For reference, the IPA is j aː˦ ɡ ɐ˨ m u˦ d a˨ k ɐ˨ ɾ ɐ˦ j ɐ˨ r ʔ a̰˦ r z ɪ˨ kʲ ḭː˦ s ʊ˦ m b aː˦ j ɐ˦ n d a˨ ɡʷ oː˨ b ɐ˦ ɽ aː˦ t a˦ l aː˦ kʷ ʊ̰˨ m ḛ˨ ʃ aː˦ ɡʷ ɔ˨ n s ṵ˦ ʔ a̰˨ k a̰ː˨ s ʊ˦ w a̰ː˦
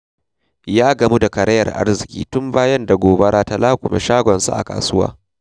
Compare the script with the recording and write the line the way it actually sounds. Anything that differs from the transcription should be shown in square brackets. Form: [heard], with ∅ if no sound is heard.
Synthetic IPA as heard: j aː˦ ɡ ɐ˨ m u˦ d a˨ k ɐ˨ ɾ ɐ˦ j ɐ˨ r ʔ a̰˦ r z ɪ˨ kʲ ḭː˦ [t] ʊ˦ m b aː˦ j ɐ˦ n d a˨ ɡʷ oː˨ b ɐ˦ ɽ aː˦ t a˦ l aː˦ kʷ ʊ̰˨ m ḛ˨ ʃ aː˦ ɡʷ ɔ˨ n s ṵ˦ ʔ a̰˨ k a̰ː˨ s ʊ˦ w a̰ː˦